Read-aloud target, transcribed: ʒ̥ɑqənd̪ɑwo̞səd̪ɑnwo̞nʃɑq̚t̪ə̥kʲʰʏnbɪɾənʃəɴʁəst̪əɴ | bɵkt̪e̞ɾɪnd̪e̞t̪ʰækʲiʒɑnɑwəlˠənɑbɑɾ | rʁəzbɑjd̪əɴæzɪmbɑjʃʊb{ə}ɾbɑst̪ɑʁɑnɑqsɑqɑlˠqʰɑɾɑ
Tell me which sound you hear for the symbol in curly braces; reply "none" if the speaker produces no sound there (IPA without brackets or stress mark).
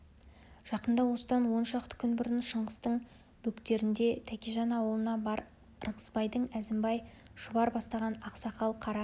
ɑ